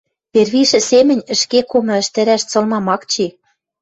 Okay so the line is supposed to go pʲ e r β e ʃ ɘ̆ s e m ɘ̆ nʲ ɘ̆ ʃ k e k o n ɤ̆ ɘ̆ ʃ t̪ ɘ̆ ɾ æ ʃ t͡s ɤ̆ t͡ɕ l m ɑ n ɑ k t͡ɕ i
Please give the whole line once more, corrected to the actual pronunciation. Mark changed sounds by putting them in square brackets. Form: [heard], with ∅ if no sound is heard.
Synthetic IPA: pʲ e r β [i] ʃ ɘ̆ s e m ɘ̆ nʲ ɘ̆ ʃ k e k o [m] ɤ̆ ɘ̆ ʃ t̪ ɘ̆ ɾ æ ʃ t͡s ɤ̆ [∅] l m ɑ [m] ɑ k t͡ɕ i

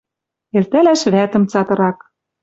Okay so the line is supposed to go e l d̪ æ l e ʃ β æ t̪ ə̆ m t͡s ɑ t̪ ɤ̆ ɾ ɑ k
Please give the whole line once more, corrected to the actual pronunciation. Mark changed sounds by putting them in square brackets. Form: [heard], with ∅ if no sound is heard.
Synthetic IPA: e l [t̪] æ l [æ] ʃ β æ t̪ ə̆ m t͡s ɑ t̪ ɤ̆ ɾ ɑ k

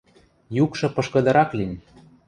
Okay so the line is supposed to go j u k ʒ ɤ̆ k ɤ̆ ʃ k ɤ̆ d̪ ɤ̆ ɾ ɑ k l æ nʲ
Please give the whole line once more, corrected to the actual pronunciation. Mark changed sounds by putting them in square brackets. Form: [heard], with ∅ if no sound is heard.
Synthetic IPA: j u k [ʃ] ɤ̆ [p] ɤ̆ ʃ k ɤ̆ d̪ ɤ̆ ɾ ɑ k l [i] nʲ

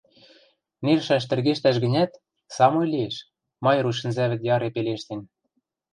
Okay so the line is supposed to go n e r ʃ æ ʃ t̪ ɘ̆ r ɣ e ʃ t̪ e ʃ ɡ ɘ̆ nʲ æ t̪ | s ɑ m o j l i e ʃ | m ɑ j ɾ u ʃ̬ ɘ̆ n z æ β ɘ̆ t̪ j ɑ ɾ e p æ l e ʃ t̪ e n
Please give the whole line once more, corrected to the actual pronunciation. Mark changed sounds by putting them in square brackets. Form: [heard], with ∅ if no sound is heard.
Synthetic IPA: n e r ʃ æ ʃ t̪ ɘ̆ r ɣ e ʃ t̪ [æ] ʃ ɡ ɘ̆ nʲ æ t̪ | s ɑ m o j l i e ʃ | m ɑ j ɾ u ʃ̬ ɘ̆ n z æ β ɘ̆ t̪ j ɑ ɾ e p [e] l e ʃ t̪ e n

